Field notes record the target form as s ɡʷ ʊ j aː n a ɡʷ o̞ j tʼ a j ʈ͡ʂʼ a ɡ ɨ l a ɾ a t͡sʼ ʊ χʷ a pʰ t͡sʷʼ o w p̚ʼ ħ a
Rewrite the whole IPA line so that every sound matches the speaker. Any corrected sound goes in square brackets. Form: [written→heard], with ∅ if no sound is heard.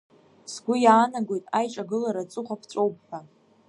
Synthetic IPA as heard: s ɡʷ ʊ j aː n a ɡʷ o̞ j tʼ a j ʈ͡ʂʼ a ɡ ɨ l a ɾ a t͡sʼ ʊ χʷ a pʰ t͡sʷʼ o w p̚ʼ ħ a

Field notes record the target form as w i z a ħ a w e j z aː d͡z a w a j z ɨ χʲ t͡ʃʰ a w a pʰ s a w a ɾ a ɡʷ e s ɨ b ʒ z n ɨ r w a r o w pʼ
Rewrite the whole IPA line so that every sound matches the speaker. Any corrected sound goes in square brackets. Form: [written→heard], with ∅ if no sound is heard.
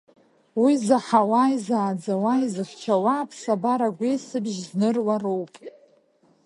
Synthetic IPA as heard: w i z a ħ a w [e→a] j z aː d͡z a w a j z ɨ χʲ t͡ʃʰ a w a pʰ s a [w→b] a ɾ a ɡʷ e s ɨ b ʒ z n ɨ r w a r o w pʼ

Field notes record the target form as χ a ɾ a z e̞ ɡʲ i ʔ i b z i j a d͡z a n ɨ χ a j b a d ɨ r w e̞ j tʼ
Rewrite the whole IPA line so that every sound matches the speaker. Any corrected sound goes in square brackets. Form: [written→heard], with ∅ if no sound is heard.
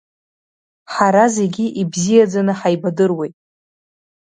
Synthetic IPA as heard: [χ→ħ] a ɾ a z e̞ ɡʲ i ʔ i b z i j a d͡z a n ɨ [χ→ħ] a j b a d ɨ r w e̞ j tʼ

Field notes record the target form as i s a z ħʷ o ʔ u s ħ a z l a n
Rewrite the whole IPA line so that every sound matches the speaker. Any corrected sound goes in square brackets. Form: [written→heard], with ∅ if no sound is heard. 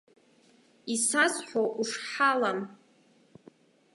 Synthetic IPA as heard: i s a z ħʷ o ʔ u [s→ʂ] ħ a [z→∅] l a [n→m]

